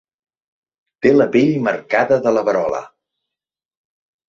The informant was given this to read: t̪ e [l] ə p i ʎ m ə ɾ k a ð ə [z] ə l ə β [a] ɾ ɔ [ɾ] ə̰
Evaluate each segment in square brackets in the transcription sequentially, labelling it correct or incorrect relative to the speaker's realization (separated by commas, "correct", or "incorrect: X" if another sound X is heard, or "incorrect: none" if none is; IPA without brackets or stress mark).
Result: correct, incorrect: ð, incorrect: ə, incorrect: l